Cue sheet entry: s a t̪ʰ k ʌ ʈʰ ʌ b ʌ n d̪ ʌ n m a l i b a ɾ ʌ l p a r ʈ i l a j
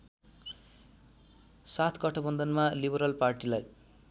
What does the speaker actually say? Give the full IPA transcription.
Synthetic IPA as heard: s a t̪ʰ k ʌ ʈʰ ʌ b ʌ n d̪ ʌ n m a l i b ʌ ɾ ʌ l p a r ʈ i l a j